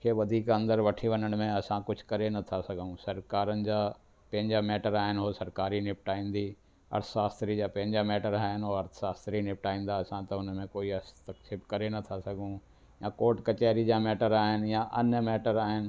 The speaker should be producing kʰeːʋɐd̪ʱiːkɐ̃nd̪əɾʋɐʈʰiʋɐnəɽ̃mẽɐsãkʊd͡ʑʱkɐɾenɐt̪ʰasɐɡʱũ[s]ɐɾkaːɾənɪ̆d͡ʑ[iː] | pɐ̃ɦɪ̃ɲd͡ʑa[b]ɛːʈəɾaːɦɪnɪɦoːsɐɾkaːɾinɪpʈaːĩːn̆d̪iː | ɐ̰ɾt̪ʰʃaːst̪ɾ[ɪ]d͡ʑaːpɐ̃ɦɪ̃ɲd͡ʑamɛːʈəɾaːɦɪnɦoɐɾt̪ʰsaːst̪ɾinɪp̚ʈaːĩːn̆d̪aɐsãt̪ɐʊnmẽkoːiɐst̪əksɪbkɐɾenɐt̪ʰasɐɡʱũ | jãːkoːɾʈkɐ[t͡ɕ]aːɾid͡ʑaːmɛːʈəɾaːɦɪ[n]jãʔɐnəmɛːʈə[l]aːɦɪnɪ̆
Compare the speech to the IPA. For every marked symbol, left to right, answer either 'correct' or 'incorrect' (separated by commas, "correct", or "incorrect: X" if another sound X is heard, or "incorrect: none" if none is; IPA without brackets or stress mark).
correct, incorrect: aː, incorrect: m, incorrect: i, correct, correct, incorrect: ɾ